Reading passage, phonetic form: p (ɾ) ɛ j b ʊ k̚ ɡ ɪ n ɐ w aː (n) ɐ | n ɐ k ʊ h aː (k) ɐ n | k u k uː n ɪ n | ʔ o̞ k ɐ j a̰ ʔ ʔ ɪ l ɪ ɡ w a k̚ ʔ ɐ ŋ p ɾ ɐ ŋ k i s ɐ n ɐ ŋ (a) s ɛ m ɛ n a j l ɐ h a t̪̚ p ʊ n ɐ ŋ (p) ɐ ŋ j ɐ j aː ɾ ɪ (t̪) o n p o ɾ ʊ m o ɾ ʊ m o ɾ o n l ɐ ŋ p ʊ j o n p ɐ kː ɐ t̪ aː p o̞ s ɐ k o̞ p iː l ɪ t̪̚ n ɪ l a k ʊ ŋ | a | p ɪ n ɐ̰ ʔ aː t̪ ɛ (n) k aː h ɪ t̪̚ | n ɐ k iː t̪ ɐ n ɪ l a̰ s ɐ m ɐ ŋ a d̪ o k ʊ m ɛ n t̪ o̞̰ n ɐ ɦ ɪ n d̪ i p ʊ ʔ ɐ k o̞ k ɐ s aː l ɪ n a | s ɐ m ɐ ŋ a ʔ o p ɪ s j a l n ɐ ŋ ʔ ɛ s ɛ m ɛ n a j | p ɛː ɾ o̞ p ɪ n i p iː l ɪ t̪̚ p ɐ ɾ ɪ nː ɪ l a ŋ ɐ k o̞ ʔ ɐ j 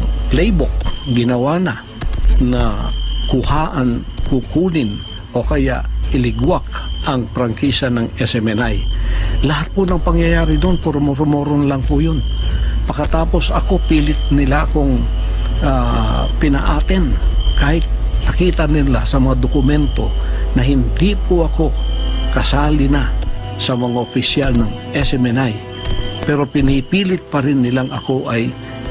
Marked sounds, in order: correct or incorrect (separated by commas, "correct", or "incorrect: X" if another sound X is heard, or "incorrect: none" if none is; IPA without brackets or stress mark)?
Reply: incorrect: l, correct, incorrect: ʔ, incorrect: ɛ, correct, incorrect: d̪, correct